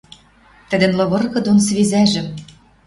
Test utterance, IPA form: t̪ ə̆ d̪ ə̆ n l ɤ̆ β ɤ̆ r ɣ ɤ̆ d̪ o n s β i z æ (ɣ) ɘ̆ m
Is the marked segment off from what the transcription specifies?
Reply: yes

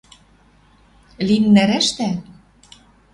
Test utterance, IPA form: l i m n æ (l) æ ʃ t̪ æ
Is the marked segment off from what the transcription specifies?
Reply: yes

